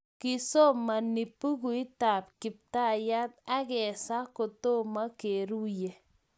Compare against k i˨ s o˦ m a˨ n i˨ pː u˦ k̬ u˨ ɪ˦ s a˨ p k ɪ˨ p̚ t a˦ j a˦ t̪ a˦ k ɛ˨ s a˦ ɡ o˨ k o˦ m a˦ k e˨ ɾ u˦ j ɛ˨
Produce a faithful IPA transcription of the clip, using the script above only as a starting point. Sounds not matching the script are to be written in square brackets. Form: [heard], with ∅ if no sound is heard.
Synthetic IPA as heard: k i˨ s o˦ m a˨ n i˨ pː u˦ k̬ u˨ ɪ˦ [t] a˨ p k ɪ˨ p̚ t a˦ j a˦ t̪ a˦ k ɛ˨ s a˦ [k] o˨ [t] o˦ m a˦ k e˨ ɾ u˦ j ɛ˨